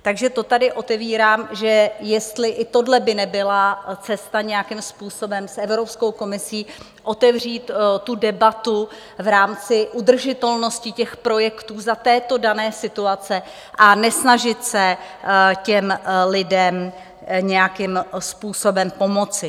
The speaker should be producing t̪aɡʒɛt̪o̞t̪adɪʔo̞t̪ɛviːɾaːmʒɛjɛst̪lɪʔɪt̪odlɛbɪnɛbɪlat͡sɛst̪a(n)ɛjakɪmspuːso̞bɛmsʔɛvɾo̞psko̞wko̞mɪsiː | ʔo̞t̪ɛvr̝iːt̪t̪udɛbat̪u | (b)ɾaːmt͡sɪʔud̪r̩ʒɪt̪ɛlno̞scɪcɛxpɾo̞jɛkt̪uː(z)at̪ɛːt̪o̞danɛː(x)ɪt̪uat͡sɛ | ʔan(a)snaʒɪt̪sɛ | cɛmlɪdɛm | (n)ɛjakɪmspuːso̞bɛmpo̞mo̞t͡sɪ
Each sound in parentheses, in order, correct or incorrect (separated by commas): incorrect, incorrect, correct, incorrect, incorrect, incorrect